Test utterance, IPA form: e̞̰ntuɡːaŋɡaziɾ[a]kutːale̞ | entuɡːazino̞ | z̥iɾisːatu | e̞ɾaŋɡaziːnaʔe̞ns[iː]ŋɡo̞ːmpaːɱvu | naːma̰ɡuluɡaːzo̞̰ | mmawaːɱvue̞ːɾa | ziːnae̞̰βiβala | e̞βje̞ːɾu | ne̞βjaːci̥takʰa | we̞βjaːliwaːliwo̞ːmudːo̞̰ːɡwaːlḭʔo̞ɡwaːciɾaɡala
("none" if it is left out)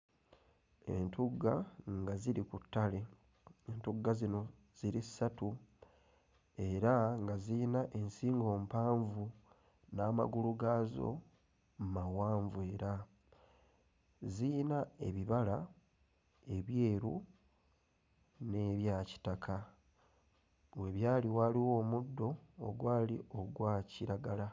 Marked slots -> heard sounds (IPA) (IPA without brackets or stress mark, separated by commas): i, iː